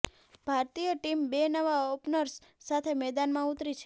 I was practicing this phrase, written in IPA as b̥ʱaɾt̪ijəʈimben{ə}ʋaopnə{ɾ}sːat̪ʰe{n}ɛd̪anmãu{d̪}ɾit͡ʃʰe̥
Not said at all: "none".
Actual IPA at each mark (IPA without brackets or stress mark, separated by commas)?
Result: ə, ɾ, m, t̪